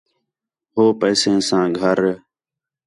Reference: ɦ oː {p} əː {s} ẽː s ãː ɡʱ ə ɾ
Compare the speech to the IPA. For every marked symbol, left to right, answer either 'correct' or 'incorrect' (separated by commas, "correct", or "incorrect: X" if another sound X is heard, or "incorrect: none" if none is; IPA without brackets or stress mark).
correct, correct